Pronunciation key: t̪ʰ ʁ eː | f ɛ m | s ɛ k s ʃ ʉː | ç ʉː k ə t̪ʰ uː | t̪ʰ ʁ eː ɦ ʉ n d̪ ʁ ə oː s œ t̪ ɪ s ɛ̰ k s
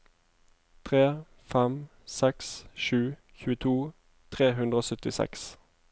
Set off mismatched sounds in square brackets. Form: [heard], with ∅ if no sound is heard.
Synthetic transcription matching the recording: t̪ʰ ʁ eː | f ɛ m | s ɛ k s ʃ ʉː | ç ʉː [∅] ə t̪ʰ uː | t̪ʰ ʁ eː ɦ ʉ n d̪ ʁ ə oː s œ t̪ ɪ s ɛ̰ k s